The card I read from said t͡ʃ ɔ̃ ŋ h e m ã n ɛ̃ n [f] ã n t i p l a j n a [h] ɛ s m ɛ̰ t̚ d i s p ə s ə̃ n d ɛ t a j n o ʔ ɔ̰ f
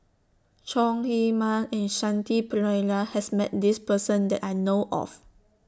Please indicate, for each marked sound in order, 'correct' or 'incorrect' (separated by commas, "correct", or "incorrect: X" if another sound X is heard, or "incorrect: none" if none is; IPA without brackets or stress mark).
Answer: incorrect: ʃ, correct